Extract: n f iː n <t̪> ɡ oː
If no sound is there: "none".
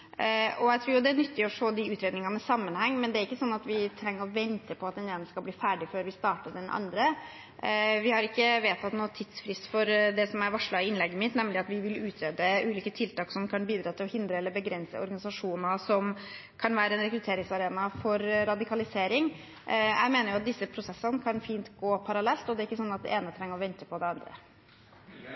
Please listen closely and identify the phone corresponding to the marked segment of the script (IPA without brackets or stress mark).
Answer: t̪